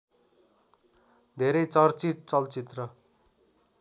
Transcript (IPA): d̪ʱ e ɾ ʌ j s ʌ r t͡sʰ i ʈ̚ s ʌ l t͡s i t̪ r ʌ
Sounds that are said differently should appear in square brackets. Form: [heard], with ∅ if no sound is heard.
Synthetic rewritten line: d̪ʱ e ɾ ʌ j [t͡s] ʌ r [t͡s] i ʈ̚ [t͡s] ʌ l t͡s i t̪ r ʌ

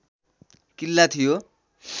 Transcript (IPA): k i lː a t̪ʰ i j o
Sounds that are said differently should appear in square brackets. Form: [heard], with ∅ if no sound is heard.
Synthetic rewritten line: k i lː a t̪ʰ i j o

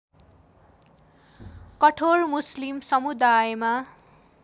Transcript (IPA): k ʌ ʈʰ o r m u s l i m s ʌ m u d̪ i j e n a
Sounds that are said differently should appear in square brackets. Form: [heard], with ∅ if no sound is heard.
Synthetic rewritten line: k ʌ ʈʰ o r m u s l i m s ʌ m u d̪ [a] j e [m] a

